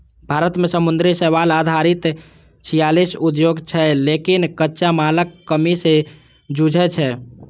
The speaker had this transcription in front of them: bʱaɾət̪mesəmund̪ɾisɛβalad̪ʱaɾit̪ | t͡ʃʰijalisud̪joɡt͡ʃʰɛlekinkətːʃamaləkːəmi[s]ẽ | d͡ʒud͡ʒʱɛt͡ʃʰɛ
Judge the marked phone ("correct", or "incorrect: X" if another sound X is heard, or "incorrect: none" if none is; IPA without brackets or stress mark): correct